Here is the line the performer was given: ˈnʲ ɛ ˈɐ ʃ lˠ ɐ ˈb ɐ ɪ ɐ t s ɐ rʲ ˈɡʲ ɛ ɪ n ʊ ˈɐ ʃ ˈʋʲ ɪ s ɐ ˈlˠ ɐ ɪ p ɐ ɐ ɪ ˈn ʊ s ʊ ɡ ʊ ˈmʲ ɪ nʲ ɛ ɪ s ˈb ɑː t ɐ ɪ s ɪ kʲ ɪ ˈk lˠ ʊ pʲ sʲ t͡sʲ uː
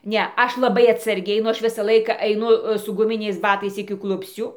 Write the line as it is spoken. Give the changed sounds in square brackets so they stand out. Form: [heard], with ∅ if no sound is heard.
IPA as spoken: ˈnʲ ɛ ˈɐ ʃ lˠ ɐ ˈb ɐ ɪ ɐ t s ɐ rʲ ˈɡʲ ɛ ɪ n ʊ ˈɐ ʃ ˈʋʲ ɪ s ɐ ˈlˠ ɐ ɪ [k] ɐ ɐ ɪ ˈn ʊ s ʊ ɡ ʊ ˈmʲ ɪ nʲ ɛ ɪ s ˈb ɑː t ɐ ɪ s ɪ kʲ ɪ ˈk lˠ ʊ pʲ sʲ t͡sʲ uː